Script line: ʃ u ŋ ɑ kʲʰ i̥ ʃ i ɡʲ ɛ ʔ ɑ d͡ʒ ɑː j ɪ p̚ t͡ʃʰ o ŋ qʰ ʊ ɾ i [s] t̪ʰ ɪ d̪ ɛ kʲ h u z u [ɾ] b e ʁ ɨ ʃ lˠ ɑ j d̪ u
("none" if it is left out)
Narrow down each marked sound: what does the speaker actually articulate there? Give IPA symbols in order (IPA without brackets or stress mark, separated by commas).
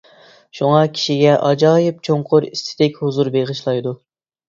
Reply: s, ɾ